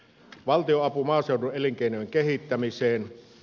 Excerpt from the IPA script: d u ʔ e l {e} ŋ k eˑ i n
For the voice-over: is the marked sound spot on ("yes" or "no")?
no